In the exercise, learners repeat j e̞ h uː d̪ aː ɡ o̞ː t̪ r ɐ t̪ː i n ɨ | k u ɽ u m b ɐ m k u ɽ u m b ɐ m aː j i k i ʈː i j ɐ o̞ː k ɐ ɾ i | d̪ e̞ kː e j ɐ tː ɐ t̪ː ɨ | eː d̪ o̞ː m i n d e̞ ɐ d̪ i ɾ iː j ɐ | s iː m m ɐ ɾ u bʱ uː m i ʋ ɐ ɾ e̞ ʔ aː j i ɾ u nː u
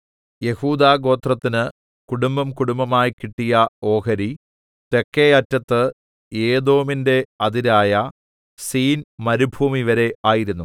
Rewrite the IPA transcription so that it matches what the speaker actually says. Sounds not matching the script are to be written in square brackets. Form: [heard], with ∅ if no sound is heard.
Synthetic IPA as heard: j e̞ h uː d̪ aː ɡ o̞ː t̪ r ɐ t̪ː i n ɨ | k u ɽ u m b ɐ m k u ɽ u m b ɐ m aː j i k i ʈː i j ɐ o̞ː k ɐ ɾ i | [t̪] e̞ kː e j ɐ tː ɐ t̪ː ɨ | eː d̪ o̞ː m i n d e̞ ɐ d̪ i ɾ [aː] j ɐ | s iː [n] m ɐ ɾ u bʱ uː m i ʋ ɐ ɾ e̞ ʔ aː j i ɾ u nː u

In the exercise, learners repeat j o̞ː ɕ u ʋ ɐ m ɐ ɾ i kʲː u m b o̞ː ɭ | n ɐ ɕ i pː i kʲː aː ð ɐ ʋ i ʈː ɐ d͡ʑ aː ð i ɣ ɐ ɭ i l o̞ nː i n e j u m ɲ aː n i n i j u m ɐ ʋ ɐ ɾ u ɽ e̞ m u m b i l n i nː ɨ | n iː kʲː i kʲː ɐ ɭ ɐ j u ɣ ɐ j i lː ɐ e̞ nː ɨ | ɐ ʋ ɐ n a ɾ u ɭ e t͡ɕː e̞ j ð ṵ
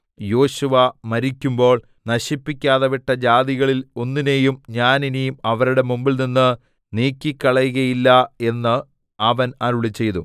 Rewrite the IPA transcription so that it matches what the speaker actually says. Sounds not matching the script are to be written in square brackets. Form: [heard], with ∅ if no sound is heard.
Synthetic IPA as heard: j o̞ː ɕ u ʋ ɐ m ɐ ɾ i kʲː u m b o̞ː ɭ | n ɐ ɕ i pː i kʲː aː ð ɐ ʋ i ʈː ɐ d͡ʑ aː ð i ɣ ɐ ɭ i l o̞ nː i n e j u m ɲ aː n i n i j u m ɐ ʋ ɐ ɾ u ɽ e̞ m u m b i l n i nː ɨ | n iː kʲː i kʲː ɐ ɭ ɐ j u ɣ ɐ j i lː ɐ e̞ nː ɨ | ɐ ʋ ɐ n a ɾ u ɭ [i] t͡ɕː e̞ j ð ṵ

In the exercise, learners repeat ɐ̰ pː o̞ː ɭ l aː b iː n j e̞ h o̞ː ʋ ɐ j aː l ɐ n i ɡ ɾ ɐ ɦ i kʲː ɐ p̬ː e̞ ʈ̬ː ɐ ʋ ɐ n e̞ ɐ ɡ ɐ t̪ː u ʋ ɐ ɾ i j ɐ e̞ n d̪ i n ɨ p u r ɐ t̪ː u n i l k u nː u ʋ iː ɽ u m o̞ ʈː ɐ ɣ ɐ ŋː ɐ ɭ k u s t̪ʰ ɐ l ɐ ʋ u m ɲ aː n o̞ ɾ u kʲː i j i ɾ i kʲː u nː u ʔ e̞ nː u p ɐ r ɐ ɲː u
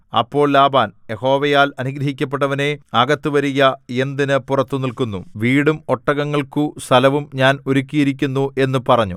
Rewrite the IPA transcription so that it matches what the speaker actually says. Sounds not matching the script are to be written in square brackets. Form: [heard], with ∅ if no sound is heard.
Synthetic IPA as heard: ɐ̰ pː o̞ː ɭ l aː b [aː] n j e̞ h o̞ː ʋ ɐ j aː l ɐ n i ɡ ɾ ɐ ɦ i kʲː ɐ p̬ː e̞ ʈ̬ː ɐ ʋ ɐ n e̞ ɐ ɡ ɐ t̪ː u ʋ ɐ ɾ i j ɐ e̞ n d̪ i n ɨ p u r ɐ t̪ː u n i l k u nː u ʋ iː ɽ u m o̞ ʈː ɐ ɣ ɐ ŋː ɐ ɭ k u s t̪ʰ ɐ l ɐ ʋ u m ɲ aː n o̞ ɾ u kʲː i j i ɾ i kʲː u nː u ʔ e̞ nː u p ɐ r ɐ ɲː u

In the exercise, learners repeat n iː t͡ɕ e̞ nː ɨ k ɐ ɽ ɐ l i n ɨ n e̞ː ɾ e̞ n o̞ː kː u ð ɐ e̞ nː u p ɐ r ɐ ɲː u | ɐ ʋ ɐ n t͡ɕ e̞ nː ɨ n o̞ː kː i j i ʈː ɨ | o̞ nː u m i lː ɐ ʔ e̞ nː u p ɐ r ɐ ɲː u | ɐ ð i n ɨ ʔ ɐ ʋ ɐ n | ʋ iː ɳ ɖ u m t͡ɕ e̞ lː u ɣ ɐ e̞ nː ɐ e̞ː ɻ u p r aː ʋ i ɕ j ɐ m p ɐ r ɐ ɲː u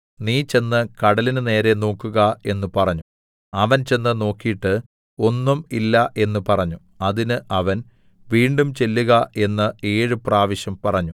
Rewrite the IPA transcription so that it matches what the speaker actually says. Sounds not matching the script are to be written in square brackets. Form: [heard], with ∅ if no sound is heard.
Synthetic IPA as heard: n iː t͡ɕ e̞ nː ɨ k ɐ ɽ ɐ l i n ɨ n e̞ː ɾ e̞ n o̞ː kː u [ɣ] ɐ e̞ nː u p ɐ r ɐ ɲː u | ɐ ʋ ɐ n t͡ɕ e̞ nː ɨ n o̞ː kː i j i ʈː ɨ | o̞ nː u m i lː ɐ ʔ e̞ nː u p ɐ r ɐ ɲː u | ɐ ð i n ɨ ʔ ɐ ʋ ɐ n | ʋ iː ɳ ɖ u m t͡ɕ e̞ lː u ɣ ɐ e̞ nː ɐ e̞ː ɻ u p r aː ʋ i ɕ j ɐ m p ɐ r ɐ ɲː u

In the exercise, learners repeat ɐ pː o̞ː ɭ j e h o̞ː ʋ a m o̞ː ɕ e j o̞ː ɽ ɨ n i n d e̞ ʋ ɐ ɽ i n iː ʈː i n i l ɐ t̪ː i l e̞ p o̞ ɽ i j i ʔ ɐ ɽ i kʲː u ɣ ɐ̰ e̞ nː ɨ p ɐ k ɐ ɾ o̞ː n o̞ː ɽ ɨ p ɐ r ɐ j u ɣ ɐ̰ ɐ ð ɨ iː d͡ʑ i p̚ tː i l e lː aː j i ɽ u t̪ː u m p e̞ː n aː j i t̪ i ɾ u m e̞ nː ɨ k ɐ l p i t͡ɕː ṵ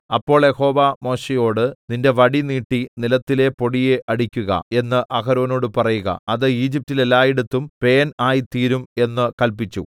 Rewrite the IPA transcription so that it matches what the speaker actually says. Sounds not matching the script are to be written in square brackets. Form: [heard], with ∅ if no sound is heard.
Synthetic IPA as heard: ɐ pː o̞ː ɭ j e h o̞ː ʋ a m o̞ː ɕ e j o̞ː ɽ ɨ n i n d e̞ ʋ ɐ ɽ i n iː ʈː i n i l ɐ t̪ː i l e̞ p o̞ ɽ i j [e] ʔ ɐ ɽ i kʲː u ɣ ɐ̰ e̞ nː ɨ [ʔ] ɐ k ɐ ɾ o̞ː n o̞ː ɽ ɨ p ɐ r ɐ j u ɣ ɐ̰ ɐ ð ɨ iː d͡ʑ i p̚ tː i l e lː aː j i ɽ u t̪ː u m p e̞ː n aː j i t̪ [iː] ɾ u m e̞ nː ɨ k ɐ l p i t͡ɕː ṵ

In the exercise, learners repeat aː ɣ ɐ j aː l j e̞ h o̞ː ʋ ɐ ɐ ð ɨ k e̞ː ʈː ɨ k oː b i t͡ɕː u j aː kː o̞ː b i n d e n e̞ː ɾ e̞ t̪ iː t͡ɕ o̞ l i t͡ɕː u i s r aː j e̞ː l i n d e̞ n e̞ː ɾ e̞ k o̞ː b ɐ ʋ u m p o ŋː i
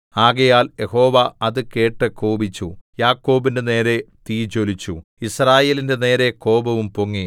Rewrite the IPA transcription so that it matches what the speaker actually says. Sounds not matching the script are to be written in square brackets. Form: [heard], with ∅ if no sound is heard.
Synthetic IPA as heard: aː ɣ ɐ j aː l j e̞ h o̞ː ʋ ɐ ɐ ð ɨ k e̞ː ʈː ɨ k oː b i t͡ɕː u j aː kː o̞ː b i n d e n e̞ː ɾ e̞ t̪ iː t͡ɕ o̞ l i t͡ɕː u i s r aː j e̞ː l i n d e̞ n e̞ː ɾ e̞ k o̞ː b ɐ ʋ u m p o ŋː i

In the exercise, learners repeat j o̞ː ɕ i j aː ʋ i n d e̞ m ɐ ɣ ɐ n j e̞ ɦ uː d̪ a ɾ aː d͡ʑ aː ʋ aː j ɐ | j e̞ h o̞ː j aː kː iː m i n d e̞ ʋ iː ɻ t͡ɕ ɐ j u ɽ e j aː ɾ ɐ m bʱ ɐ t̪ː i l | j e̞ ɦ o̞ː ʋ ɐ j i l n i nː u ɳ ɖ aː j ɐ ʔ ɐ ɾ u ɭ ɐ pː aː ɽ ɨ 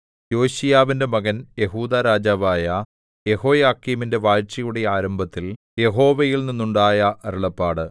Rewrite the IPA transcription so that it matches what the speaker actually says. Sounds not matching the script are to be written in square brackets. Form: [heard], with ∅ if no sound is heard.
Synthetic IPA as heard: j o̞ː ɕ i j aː ʋ i n d e̞ m ɐ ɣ ɐ n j e̞ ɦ uː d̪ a ɾ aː d͡ʑ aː ʋ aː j ɐ | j e̞ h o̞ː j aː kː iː m i n d e̞ ʋ [aː] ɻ t͡ɕ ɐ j u ɽ e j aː ɾ ɐ m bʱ ɐ t̪ː i l | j e̞ ɦ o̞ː ʋ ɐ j i l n i nː u ɳ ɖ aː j ɐ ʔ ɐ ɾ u ɭ ɐ pː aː ɽ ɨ

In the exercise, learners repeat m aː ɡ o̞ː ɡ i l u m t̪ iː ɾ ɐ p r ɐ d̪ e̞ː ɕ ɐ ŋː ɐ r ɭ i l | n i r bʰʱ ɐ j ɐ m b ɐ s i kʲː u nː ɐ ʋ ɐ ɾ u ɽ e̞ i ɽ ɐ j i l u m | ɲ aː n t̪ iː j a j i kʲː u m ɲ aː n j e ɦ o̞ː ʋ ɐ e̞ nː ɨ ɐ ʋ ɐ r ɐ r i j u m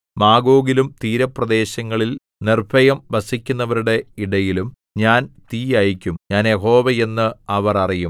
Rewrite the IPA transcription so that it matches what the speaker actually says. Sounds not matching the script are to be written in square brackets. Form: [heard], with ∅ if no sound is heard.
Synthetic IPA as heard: m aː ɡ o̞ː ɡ i l u m t̪ iː ɾ ɐ p r ɐ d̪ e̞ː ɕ ɐ ŋː ɐ [∅] ɭ i l | n i r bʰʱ ɐ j ɐ m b ɐ s i kʲː u nː ɐ ʋ ɐ ɾ u ɽ e̞ i ɽ ɐ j i l u m | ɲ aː n t̪ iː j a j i kʲː u m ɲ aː n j e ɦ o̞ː ʋ ɐ e̞ nː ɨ ɐ ʋ ɐ r ɐ r i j u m

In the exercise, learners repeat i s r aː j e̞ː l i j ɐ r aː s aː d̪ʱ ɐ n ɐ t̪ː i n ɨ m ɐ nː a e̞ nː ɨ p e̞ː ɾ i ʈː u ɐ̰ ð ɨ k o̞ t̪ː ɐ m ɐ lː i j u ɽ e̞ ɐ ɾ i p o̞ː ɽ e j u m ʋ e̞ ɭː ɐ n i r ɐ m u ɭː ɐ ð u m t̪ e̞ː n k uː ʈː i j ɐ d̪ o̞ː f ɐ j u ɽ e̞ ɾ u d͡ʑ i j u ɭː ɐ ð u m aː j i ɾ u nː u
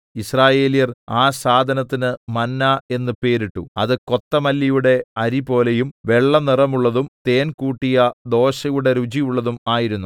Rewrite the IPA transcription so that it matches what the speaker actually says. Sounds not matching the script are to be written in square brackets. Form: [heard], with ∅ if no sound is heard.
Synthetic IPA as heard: i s r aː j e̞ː l i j ɐ r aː s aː d̪ʱ ɐ n ɐ t̪ː i n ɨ m ɐ nː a e̞ nː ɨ p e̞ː ɾ i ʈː u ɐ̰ ð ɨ k o̞ t̪ː ɐ m ɐ lː i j u ɽ e̞ ɐ ɾ i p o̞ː [l] e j u m ʋ e̞ ɭː ɐ n i r ɐ m u ɭː ɐ ð u m t̪ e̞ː n k uː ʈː i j ɐ d̪ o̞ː [ɕ] ɐ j u ɽ e̞ ɾ u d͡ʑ i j u ɭː ɐ ð u m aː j i ɾ u nː u

